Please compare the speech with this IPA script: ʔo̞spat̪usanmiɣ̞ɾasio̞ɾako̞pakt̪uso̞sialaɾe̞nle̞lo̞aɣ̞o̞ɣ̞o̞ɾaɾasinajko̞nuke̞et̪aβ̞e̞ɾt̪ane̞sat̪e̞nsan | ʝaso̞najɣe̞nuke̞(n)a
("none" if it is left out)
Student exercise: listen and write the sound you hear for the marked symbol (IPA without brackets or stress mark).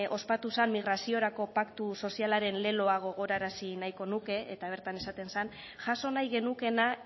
n